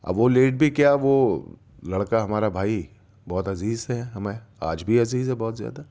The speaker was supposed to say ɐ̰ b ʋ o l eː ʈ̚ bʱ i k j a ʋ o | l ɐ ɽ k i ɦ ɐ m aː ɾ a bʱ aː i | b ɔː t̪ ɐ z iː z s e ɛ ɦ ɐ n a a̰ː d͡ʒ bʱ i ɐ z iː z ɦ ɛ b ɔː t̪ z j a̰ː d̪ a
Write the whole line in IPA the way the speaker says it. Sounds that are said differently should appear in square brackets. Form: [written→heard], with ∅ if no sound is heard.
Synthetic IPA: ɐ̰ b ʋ o l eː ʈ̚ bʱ i k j a ʋ o | l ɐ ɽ k [i→a] ɦ ɐ m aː ɾ a bʱ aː i | b ɔː t̪ ɐ z iː z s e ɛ ɦ ɐ [n→m] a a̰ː d͡ʒ bʱ i ɐ z iː z ɦ ɛ b ɔː t̪ z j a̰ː d̪ a